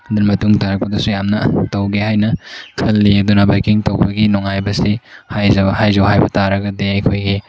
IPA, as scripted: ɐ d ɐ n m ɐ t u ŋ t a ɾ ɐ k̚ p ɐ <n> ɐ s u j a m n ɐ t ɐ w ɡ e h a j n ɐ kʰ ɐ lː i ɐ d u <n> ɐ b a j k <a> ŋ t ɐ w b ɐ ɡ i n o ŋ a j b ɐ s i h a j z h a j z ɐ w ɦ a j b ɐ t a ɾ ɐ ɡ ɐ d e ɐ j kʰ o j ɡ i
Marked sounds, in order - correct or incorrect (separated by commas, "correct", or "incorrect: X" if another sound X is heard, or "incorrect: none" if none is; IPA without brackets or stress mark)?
incorrect: d, correct, incorrect: i